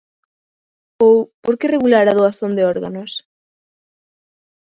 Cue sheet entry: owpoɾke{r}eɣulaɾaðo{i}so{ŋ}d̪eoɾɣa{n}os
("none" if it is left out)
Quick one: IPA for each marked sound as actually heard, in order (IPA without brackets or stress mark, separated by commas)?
r, a, n, n